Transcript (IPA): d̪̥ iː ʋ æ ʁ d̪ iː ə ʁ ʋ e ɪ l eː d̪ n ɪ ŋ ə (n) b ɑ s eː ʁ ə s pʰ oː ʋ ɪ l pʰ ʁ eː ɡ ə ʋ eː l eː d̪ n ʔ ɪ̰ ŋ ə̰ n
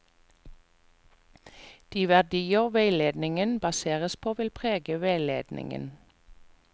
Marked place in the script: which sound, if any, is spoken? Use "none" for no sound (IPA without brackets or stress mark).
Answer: n